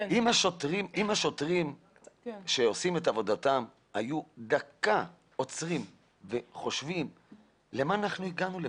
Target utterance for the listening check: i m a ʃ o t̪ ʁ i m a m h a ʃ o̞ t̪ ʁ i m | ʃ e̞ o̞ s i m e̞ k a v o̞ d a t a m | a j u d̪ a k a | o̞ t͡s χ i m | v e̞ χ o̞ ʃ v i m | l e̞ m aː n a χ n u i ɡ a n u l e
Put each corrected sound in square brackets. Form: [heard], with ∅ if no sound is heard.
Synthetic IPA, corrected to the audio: i m a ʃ o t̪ ʁ i m [i] m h a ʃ o̞ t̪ ʁ i m | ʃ e̞ o̞ s i m e̞ [t] a v o̞ d a t a m | a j u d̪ a k a | o̞ t͡s [ʁ] i m | v e̞ χ o̞ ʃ v i m | l e̞ m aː n a χ n u i ɡ a n u l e